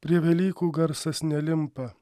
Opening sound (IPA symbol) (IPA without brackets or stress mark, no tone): pʲ